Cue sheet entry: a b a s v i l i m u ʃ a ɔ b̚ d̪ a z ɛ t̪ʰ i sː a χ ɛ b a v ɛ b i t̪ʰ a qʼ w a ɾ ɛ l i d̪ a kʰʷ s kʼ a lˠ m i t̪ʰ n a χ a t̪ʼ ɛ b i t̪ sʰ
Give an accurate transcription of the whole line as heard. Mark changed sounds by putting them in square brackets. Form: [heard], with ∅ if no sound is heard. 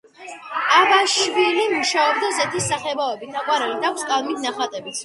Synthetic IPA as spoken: a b a [ʃ] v i l i m u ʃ a ɔ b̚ d̪ a z ɛ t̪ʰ i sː a χ ɛ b a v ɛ b i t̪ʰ a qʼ w a ɾ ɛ l i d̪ a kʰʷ s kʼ a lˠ m i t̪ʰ n a χ a t̪ʼ ɛ b i t̪ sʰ